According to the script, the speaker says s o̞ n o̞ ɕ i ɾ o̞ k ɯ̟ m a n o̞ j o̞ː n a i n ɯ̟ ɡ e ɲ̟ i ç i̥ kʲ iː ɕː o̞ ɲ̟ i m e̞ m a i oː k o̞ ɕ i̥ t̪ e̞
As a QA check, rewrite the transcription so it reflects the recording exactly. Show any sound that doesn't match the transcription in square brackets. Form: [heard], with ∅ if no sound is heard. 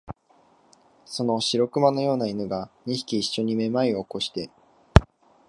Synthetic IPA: s o̞ n o̞ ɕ i ɾ o̞ k ɯ̟ m a n o̞ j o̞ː n a i n ɯ̟ ɡ [a] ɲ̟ i ç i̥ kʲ iː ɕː o̞ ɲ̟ i m e̞ m a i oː k o̞ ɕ i̥ t̪ e̞